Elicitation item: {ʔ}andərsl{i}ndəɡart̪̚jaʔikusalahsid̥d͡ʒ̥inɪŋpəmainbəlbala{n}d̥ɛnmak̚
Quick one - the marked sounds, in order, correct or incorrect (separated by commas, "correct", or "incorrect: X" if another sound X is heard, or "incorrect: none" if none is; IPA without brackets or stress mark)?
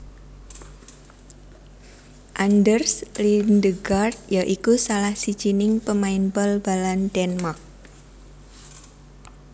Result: correct, correct, correct